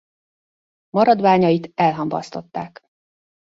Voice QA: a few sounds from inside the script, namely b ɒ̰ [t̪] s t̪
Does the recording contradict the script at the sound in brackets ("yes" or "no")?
yes